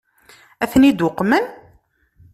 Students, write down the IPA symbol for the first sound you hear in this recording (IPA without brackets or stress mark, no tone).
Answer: æ